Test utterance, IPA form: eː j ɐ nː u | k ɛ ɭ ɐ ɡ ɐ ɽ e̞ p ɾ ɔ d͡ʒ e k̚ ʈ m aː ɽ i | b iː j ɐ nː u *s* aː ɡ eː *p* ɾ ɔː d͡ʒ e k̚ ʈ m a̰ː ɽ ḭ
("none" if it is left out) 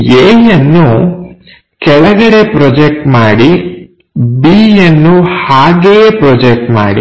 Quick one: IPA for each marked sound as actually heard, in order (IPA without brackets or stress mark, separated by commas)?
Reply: h, p